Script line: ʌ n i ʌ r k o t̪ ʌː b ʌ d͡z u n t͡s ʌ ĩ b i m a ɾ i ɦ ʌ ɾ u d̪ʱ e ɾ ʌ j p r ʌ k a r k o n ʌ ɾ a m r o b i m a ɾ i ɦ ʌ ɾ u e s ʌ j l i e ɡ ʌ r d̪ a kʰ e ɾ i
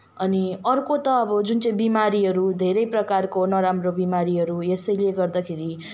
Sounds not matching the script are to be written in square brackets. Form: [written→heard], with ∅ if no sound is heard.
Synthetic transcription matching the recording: ʌ n i ʌ r k o t̪ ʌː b ʌ d͡z u n t͡s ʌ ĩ b i m a ɾ i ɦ ʌ ɾ u d̪ʱ e ɾ ʌ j p r ʌ k a r k o n ʌ ɾ a m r o b i m a ɾ i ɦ ʌ ɾ u e s ʌ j l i e ɡ ʌ r d̪ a kʰ e ɾ i